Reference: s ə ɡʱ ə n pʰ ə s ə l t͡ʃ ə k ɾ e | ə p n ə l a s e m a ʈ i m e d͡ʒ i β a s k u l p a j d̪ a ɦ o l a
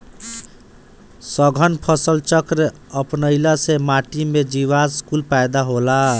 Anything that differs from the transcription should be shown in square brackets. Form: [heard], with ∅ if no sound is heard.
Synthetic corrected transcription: s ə ɡʱ ə n pʰ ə s ə l t͡ʃ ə k ɾ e | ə p n ə l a s e m a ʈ i m e d͡ʒ i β a s k u l p a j d̪ a ɦ o l a